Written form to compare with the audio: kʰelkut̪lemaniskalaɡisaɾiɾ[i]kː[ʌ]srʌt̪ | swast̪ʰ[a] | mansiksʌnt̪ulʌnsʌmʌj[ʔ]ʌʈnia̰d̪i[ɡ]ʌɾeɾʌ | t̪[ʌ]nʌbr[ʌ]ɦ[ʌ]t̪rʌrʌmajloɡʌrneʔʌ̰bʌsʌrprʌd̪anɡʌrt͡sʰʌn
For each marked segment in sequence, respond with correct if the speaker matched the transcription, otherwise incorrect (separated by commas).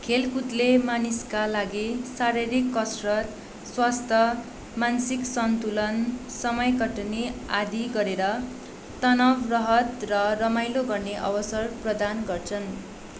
correct, correct, incorrect, incorrect, correct, correct, correct, correct